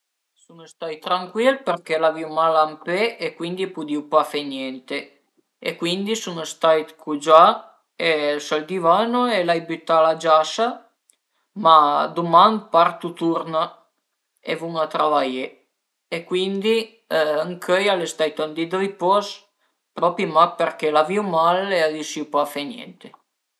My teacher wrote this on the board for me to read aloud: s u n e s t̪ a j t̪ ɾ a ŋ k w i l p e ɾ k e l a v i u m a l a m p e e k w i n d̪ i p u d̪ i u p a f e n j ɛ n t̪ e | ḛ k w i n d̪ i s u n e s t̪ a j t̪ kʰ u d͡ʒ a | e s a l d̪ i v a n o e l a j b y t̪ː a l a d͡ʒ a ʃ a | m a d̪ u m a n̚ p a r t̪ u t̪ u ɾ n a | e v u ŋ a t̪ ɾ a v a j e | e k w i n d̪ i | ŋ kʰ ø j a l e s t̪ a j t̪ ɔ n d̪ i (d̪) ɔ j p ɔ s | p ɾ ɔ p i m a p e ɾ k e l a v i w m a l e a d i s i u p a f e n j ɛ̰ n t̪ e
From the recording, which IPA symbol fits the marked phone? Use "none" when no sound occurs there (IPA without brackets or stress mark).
d̪